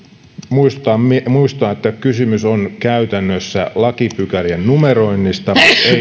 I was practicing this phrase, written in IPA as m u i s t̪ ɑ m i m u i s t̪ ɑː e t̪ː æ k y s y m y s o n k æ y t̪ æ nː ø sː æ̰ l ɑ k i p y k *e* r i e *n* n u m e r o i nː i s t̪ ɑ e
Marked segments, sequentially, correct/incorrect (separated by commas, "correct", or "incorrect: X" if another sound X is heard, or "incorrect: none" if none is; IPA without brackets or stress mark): incorrect: æ, correct